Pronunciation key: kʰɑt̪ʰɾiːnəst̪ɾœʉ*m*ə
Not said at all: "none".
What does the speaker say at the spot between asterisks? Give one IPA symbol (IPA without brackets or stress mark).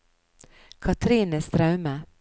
m